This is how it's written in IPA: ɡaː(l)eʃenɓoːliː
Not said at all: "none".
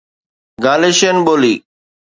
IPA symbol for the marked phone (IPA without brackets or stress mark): l